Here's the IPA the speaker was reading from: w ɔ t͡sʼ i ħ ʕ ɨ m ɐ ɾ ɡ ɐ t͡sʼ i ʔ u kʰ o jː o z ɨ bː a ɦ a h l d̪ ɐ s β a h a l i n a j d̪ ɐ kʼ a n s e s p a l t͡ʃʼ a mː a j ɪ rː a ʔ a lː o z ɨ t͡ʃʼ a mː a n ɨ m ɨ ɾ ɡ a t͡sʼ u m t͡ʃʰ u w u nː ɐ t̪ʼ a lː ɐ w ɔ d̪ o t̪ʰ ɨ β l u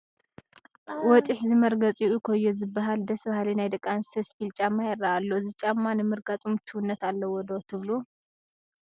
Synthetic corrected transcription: w ɔ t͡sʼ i ħ z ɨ m ɐ ɾ ɡ ɐ t͡sʼ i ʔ u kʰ o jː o z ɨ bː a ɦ a l d̪ ɐ s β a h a l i n a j d̪ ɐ kʼ a n s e s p i l t͡ʃʼ a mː a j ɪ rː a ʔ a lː o z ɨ t͡ʃʼ a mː a n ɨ m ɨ ɾ ɡ a t͡sʼ u m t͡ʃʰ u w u nː ɐ t̪ a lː ɐ w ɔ d̪ o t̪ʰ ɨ β l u